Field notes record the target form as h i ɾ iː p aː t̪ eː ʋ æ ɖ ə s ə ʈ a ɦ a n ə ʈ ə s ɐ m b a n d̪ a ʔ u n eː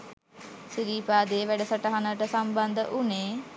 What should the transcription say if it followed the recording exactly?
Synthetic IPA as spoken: s i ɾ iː p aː d̪ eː ʋ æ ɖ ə s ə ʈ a ɦ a n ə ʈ ə s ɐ m b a n d̪ ə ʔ u n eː